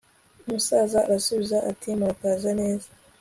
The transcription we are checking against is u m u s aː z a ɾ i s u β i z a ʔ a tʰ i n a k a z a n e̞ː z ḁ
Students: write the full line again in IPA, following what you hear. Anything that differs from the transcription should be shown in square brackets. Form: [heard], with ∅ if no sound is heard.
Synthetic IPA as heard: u m u s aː z a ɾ [a] s u β i z a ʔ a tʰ i [m] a k a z a n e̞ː z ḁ